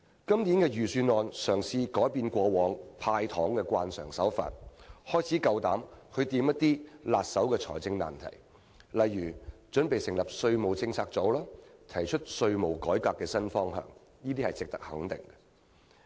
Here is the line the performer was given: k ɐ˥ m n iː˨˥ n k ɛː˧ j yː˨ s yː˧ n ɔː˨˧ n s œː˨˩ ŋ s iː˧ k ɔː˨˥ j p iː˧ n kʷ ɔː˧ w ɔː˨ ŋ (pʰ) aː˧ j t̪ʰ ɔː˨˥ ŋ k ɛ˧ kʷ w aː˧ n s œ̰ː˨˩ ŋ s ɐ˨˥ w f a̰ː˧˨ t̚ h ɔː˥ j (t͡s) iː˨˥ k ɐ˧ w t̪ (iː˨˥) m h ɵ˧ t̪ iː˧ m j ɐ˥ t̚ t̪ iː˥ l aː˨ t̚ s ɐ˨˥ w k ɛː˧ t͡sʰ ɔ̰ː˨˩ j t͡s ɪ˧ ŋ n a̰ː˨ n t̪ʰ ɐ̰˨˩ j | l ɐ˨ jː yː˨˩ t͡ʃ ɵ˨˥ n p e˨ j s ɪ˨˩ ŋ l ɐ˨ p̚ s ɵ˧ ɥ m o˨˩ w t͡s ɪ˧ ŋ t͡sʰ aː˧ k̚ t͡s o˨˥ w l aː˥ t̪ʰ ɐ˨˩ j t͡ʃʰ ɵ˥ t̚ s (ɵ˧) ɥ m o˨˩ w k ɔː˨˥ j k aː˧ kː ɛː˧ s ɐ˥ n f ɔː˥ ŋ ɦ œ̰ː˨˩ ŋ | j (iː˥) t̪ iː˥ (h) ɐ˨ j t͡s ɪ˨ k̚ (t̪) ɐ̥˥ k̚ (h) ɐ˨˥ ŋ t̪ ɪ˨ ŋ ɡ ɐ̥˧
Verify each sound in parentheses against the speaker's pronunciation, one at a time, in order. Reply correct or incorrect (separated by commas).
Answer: correct, incorrect, incorrect, correct, correct, correct, correct, correct